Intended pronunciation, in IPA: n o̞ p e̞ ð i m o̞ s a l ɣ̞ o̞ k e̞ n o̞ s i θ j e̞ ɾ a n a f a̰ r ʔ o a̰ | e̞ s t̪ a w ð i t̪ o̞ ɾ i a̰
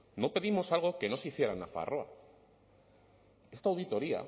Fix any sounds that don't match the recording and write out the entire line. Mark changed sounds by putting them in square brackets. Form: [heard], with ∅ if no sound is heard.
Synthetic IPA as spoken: n o̞ p e̞ ð i m o̞ s a l ɣ̞ o̞ k e̞ n o̞ s i θ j e̞ ɾ a n a f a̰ r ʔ o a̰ | e̞ s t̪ a w ð i t̪ o̞ ɾ i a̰